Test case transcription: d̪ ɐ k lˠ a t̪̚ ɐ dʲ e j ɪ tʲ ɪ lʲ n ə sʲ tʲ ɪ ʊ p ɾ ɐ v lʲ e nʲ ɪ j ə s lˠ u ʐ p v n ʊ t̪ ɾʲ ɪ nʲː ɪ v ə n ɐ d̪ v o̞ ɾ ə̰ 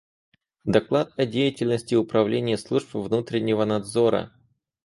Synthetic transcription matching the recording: d̪ ɐ k lˠ a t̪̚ ɐ dʲ e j ɪ tʲ ɪ lʲ n ə sʲ tʲ ɪ ʊ p ɾ ɐ v lʲ e nʲ ɪ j ə s lˠ u ʐ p v n u t̪ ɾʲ ɪ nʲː ɪ v ə n ɐ d̪ z o̞ ɾ ə̰